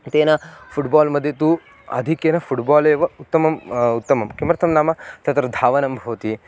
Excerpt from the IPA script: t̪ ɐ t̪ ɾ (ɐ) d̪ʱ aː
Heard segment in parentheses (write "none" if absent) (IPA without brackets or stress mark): ɐ